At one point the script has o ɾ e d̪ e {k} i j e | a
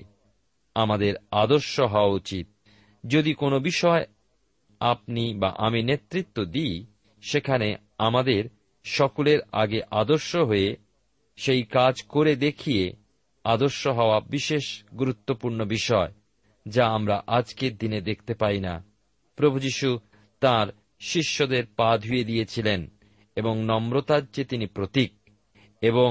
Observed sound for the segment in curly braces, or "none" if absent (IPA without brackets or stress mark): kʰ